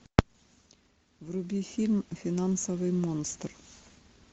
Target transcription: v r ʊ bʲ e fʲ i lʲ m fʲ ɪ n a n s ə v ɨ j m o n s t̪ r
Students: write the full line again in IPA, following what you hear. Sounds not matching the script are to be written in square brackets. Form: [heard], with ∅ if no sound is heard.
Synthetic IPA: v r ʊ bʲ [i] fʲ i lʲ m fʲ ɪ n a n s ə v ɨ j m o n s t̪ r

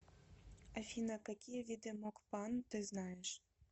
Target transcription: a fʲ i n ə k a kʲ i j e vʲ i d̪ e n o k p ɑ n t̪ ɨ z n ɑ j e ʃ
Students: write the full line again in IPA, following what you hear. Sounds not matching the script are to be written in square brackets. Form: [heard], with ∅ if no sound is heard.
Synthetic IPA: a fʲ i n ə k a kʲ i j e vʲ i d̪ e [m] o k p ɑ n t̪ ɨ z n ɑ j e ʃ

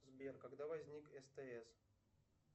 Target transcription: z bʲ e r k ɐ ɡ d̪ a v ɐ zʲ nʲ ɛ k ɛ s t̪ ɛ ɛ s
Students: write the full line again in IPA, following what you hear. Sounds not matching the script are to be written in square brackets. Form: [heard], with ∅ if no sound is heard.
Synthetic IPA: z bʲ e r k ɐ ɡ d̪ a v ɐ zʲ nʲ [i] k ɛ s t̪ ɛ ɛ s

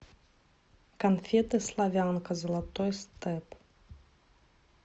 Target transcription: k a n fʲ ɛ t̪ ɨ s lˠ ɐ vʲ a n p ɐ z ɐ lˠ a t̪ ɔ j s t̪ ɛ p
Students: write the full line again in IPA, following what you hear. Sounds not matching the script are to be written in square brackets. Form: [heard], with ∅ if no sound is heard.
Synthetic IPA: k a n fʲ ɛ t̪ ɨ s lˠ [a] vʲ a n [k] ɐ z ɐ lˠ a t̪ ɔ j s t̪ ɛ p

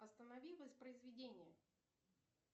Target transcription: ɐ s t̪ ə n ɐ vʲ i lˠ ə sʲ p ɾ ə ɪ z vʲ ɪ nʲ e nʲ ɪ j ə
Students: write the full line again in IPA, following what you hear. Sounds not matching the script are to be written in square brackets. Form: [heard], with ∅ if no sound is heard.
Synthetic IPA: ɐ s t̪ ə n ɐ vʲ i lˠ ə sʲ p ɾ ə ɪ z vʲ ɪ [dʲ] e nʲ ɪ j ə

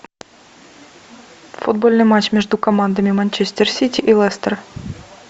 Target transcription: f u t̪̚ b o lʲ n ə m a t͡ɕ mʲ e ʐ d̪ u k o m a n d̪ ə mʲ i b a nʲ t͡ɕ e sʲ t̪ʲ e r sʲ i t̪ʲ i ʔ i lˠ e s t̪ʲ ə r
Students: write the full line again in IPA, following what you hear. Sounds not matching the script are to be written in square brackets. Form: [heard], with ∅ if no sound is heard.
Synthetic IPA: f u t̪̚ b o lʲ n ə m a t͡ɕ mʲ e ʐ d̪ u k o m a n d̪ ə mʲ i [m] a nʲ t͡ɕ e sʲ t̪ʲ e r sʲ i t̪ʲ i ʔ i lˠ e s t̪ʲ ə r

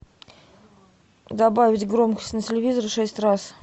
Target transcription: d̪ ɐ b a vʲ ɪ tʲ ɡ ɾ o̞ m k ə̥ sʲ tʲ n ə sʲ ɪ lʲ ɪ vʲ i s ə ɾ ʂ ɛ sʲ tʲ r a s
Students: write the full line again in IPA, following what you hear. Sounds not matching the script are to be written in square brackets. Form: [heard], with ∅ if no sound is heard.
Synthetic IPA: d̪ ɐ b a vʲ ɪ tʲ ɡ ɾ o̞ m k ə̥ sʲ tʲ n ə [tʲ] ɪ lʲ ɪ vʲ i [z] ə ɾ ʂ ɛ sʲ tʲ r a s

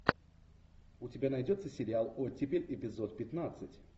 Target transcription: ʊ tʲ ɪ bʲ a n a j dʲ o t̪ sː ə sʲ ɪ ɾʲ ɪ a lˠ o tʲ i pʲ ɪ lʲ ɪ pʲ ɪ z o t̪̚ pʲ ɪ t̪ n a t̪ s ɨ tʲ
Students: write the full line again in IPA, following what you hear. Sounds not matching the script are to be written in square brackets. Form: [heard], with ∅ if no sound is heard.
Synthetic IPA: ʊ tʲ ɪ bʲ a n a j dʲ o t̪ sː ə sʲ ɪ ɾʲ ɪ a lˠ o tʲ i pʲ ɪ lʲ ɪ pʲ ɪ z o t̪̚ pʲ ɪ t̪ n a t̪ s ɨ tʲ

